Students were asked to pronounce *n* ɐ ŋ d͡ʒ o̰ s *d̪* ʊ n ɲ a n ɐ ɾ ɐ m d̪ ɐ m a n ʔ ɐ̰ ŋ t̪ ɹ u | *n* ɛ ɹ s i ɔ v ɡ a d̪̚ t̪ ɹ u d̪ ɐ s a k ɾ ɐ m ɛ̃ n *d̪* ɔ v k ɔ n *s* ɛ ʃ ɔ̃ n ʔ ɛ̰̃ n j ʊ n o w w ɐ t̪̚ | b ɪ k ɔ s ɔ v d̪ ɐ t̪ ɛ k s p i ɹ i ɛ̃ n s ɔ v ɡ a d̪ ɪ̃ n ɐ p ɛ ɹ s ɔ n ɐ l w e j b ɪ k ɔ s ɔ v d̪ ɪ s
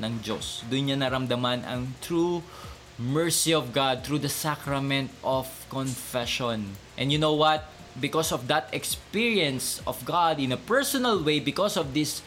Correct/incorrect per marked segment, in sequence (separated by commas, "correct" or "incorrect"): correct, correct, incorrect, incorrect, incorrect